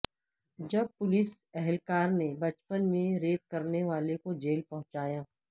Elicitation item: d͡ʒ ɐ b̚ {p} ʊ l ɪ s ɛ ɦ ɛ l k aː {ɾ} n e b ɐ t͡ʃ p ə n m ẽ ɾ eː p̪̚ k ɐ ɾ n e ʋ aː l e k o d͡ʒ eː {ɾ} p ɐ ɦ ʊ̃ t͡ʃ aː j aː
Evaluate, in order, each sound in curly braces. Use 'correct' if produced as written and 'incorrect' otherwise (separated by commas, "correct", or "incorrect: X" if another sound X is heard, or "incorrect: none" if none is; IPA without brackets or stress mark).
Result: correct, correct, incorrect: l